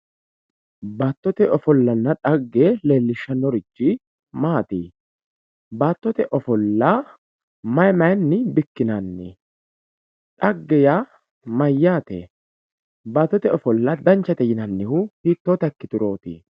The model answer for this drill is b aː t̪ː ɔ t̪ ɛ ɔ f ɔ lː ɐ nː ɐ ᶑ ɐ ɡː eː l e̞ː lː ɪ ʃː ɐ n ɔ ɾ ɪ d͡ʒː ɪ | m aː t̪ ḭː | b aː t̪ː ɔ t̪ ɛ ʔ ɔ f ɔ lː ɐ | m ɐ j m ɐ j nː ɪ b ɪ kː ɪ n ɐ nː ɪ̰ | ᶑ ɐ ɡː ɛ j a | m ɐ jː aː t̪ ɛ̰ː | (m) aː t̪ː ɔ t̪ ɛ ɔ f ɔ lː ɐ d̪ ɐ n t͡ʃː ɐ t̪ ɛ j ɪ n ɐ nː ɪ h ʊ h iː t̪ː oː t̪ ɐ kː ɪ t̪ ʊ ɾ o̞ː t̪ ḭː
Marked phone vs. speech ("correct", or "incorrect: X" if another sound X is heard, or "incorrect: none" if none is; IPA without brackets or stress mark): incorrect: b